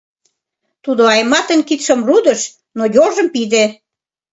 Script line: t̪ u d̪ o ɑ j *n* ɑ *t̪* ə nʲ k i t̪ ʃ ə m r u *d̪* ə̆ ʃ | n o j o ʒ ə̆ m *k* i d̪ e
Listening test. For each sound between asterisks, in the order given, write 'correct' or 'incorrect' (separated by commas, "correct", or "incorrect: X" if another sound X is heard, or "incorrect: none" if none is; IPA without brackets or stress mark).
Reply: incorrect: m, correct, correct, incorrect: p